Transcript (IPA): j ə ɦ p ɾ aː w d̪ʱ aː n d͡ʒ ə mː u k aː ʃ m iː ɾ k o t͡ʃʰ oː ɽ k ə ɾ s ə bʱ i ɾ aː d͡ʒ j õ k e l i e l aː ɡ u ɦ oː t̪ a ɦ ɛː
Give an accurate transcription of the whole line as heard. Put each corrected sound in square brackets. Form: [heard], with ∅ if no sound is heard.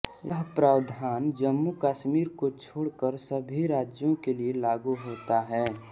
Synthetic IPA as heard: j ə ɦ p ɾ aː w d̪ʱ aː n d͡ʒ ə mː u k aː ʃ m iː ɾ k o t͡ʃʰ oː ɽ k ə ɾ s ə bʱ i ɾ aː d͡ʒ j õ k e l i e l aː ɡ u ɦ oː t̪ a ɦ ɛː